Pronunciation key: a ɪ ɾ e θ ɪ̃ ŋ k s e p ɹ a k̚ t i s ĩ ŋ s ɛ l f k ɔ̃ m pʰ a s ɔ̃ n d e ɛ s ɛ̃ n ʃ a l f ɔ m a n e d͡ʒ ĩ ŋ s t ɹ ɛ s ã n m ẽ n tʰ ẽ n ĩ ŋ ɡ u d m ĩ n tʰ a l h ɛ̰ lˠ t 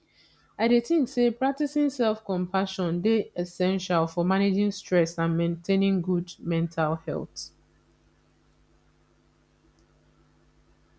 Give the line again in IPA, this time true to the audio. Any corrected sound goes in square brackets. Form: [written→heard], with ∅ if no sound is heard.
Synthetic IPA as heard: a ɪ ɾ e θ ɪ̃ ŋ k s e p ɹ a k̚ t i s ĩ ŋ s ɛ l f k ɔ̃ m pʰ a [s→ʃ] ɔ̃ n d e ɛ s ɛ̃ n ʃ a l f ɔ m a n e d͡ʒ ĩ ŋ s t ɹ ɛ s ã n m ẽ n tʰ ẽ n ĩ ŋ ɡ u d m [ĩ→ɛ̃] n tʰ a l h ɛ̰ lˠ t